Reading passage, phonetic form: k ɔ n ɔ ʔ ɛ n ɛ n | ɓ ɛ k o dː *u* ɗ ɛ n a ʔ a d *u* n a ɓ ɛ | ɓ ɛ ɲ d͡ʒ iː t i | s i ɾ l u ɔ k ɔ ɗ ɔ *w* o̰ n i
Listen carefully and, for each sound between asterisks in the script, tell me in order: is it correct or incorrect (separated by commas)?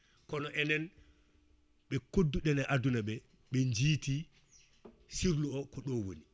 correct, correct, correct